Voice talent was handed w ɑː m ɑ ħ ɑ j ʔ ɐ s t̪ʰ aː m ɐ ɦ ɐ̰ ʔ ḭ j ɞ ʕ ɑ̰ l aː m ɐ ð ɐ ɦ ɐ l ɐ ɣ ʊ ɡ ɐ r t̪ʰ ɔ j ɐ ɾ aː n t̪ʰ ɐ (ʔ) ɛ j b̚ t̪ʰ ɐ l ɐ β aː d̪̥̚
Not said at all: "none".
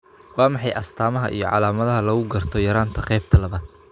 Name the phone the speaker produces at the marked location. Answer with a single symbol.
q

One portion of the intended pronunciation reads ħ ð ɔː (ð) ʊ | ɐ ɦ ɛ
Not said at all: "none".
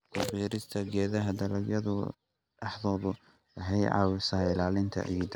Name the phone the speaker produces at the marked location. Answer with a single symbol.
ð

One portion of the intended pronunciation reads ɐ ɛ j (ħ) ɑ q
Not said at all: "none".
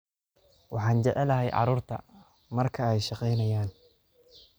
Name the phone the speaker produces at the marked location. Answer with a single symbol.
ʃ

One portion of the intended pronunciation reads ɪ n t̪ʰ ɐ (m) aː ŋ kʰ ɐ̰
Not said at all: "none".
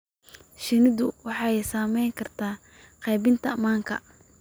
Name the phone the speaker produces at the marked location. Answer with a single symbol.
m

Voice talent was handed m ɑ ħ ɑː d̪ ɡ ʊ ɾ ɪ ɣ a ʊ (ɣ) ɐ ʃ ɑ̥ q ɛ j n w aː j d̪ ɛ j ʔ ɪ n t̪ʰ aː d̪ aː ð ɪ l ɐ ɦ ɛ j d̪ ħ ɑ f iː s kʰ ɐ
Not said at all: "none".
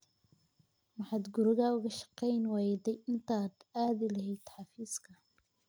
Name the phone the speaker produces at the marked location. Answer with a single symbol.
ɣ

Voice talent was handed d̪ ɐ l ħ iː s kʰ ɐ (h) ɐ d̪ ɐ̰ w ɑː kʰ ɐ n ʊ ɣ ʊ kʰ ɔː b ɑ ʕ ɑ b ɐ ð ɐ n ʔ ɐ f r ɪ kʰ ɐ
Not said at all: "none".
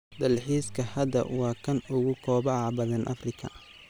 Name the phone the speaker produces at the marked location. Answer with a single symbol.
h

